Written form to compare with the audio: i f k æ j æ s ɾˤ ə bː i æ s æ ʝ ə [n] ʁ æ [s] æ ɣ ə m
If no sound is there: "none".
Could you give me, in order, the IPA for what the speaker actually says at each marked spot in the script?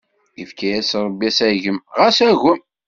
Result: m, s

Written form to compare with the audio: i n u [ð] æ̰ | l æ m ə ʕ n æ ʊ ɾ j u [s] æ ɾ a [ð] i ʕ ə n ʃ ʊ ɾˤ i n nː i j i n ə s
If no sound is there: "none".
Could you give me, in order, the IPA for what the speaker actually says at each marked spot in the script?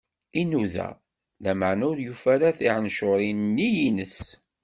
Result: ð, f, θ

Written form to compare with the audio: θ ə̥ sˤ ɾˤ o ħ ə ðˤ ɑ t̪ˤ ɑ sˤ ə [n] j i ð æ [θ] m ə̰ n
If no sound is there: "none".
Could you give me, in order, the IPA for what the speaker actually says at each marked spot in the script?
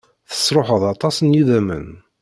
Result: n, none

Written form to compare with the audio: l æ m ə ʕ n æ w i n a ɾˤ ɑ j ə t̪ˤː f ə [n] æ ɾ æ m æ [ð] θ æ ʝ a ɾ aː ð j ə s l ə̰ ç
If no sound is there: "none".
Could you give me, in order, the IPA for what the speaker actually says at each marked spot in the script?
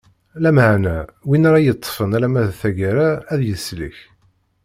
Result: n, ð

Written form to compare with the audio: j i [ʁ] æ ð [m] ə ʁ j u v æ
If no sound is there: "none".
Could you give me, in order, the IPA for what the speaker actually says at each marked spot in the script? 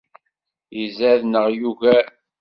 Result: z, n

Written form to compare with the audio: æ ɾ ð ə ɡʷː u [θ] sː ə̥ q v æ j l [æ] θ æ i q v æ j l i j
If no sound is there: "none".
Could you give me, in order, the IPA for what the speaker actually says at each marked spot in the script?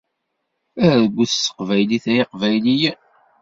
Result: θ, i

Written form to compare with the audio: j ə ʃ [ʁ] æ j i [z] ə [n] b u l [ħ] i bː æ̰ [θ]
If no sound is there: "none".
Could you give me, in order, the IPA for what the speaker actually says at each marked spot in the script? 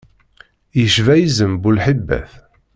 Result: v, z, m, ħ, θ

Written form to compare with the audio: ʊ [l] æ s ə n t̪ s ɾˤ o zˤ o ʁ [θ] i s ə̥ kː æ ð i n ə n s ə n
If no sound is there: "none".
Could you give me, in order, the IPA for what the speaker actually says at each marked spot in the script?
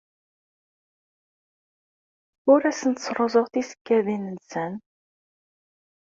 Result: ɾ, θ

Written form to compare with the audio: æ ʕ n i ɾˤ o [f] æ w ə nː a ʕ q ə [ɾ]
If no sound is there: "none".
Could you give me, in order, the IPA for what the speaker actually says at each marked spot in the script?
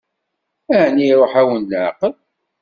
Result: ħ, l

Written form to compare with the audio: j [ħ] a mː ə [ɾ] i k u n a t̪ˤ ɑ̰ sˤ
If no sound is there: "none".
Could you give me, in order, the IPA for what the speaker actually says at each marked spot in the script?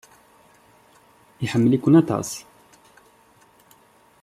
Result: ħ, l

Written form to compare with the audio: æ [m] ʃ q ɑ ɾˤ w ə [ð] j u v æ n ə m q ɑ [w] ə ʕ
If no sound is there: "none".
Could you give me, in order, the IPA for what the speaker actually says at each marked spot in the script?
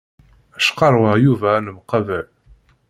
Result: none, ʁ, v

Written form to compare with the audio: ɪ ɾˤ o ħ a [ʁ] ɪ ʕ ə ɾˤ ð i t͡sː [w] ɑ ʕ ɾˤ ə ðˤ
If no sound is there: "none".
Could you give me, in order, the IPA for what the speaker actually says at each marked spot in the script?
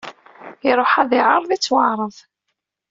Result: ð, w

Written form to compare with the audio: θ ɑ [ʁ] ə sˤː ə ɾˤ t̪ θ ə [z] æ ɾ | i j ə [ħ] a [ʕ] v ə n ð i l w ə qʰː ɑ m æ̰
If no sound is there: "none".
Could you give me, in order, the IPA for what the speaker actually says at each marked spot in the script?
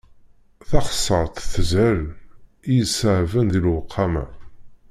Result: χ, z, s, ʕ

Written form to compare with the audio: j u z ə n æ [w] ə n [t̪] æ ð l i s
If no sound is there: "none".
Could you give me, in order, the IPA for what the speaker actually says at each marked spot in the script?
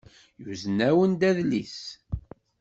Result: w, d̪

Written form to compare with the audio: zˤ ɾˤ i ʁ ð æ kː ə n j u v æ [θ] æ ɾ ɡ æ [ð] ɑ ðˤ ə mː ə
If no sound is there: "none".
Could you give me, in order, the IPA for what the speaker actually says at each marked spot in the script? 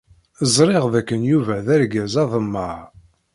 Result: ð, z

